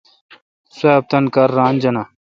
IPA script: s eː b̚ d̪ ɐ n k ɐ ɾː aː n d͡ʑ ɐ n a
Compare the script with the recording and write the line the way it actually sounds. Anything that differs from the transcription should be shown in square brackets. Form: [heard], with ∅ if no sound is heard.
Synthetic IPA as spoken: s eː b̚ [t̪] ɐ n k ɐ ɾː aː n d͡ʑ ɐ n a